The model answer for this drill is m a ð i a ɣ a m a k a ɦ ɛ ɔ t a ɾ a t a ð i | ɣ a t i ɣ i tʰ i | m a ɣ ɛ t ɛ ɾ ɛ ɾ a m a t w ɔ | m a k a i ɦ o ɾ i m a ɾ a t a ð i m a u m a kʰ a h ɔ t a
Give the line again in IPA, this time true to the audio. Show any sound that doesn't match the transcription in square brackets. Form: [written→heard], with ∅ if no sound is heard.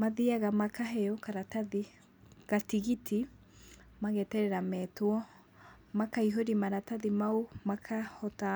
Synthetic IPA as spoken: m a ð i a ɣ a m a k a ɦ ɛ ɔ [t→k] a ɾ a t a ð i | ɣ a t i ɣ i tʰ i | m a ɣ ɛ t ɛ ɾ ɛ ɾ a m [a→ɛ] t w ɔ | m a k a i ɦ o ɾ i m a ɾ a t a ð i m a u m a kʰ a h ɔ t a